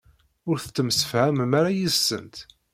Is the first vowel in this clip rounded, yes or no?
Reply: yes